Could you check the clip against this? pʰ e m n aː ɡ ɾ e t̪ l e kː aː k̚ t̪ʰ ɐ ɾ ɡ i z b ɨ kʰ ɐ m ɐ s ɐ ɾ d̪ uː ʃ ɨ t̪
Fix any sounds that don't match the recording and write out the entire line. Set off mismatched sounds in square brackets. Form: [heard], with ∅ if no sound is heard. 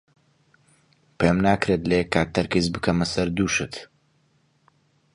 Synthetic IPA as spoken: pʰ e m n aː [k] ɾ e t̪ l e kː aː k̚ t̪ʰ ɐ ɾ [k] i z b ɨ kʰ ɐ m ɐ s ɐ ɾ d̪ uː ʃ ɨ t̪